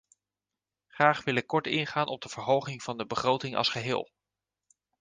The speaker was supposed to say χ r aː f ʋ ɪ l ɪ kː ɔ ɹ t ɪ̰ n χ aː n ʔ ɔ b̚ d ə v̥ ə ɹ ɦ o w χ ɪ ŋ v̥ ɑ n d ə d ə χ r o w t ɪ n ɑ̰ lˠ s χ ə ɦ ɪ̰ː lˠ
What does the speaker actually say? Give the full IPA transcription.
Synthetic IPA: χ r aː χ ʋ ɪ l ɪ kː ɔ ɹ t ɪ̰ n χ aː n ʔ ɔ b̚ d ə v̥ ə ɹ ɦ o w χ ɪ ŋ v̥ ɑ n d ə b ə χ r o w t ɪ ŋ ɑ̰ lˠ s χ ə ɦ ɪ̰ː lˠ